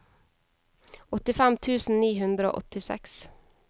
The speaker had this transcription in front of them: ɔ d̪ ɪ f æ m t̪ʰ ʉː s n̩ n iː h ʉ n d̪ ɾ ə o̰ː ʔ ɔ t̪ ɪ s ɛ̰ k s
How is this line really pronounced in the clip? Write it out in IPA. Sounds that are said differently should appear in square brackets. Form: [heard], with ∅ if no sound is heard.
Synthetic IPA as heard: ɔ [t̪] ɪ f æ m t̪ʰ ʉː s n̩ n iː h ʉ n d̪ ɾ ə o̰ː ʔ ɔ t̪ ɪ s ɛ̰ k s

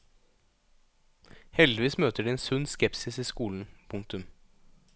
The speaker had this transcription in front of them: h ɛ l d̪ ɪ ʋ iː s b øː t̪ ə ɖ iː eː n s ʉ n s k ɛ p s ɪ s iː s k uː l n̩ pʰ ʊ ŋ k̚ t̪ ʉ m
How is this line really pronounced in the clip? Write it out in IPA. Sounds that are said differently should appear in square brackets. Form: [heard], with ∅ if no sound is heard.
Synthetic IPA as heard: h ɛ l d̪ ɪ ʋ iː s [m] øː t̪ ə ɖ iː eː n s ʉ n s k ɛ p s ɪ s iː s k uː l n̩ pʰ ʊ ŋ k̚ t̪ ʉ m

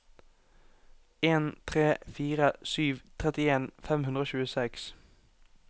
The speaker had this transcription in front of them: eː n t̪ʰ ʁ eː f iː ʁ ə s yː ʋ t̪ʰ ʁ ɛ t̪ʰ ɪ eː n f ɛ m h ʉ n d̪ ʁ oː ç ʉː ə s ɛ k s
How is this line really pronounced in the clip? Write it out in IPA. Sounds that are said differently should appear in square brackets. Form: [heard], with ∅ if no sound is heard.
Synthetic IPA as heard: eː n t̪ʰ ʁ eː f iː ʁ ə s yː ʋ t̪ʰ ʁ ɛ [t̪] ɪ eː n f ɛ m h ʉ n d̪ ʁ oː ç ʉː ə s ɛ k s

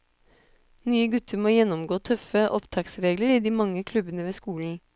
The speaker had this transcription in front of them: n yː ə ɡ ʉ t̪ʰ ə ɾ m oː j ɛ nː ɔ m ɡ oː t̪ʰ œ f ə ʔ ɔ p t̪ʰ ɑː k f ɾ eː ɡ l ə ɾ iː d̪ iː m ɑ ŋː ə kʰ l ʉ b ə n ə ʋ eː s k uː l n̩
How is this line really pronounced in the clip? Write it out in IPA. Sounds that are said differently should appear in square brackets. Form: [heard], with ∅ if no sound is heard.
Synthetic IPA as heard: n yː ə ɡ ʉ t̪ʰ ə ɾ m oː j ɛ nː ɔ m ɡ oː t̪ʰ œ f ə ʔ ɔ p t̪ʰ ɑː k [s] ɾ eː ɡ l ə ɾ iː d̪ iː m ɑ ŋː ə kʰ l ʉ b ə n ə ʋ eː s k uː l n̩

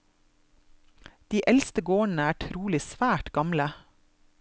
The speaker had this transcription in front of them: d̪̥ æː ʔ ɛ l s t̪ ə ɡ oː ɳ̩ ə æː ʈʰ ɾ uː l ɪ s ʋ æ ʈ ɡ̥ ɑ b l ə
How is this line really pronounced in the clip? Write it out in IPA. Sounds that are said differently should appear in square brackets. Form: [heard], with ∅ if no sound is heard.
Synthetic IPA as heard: d̪̥ [iː] ʔ ɛ l s t̪ ə ɡ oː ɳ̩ ə æː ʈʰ ɾ uː l ɪ s ʋ [æː] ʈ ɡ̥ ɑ [m] l ə

